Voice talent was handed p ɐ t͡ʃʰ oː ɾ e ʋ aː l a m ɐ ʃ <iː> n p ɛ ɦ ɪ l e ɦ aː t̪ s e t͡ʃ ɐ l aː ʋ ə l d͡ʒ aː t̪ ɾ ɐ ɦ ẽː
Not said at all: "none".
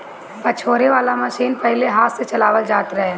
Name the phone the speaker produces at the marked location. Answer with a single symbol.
iː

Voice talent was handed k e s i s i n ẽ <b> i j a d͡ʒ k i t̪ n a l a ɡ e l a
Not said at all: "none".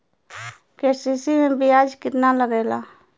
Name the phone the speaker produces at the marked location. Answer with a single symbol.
b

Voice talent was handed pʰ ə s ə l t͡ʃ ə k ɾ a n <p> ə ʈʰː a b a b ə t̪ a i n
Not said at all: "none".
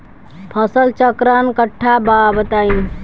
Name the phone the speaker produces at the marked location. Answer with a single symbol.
k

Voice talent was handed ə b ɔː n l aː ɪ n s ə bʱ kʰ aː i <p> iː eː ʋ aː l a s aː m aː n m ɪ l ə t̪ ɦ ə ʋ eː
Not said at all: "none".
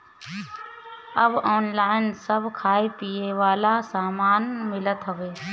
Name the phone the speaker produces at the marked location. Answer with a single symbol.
p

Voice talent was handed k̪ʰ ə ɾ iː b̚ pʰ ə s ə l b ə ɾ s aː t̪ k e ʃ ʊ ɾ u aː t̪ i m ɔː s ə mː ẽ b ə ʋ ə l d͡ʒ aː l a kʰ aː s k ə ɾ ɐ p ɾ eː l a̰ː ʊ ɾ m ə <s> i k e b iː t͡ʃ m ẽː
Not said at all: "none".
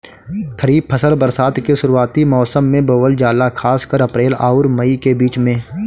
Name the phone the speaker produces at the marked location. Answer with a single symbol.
none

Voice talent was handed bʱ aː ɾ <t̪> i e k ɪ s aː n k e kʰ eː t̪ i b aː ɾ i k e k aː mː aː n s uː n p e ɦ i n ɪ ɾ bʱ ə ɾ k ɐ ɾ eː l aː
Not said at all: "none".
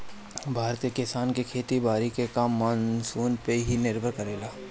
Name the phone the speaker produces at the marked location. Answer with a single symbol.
t̪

